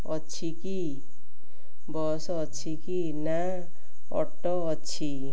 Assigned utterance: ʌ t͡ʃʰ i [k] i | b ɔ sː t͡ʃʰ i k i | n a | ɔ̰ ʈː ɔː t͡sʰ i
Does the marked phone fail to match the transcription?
no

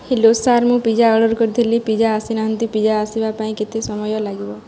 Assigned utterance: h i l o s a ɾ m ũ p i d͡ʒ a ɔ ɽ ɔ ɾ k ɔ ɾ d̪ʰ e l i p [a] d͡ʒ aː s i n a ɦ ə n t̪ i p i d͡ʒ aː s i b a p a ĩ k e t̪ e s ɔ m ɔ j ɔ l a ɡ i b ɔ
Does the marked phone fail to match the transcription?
yes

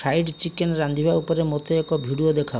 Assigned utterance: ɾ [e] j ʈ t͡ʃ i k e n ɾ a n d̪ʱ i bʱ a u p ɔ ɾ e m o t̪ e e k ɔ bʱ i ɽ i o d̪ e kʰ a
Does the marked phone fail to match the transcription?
yes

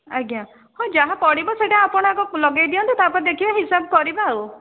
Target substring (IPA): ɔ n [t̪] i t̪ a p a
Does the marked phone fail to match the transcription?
no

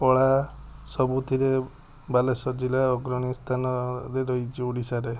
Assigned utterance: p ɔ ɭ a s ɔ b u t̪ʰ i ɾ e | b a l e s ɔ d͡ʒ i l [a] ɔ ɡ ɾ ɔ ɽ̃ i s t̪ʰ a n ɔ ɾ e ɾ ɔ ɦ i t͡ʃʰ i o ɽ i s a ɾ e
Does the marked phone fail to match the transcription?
no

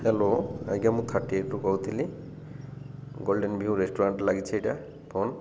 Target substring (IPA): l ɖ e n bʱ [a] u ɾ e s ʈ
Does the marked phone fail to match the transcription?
yes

